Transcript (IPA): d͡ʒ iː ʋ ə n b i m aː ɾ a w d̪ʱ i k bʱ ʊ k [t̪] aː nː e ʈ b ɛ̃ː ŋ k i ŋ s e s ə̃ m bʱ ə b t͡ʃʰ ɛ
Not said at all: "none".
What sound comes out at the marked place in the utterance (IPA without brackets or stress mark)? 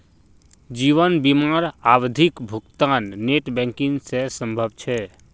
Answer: t̪